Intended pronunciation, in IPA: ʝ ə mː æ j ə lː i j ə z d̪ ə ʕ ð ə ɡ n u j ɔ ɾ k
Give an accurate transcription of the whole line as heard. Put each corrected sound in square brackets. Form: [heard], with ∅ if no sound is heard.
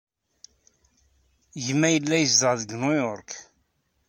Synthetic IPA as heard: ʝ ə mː æ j ə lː [æ] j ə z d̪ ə [ʁ] ð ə ɡ n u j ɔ ɾ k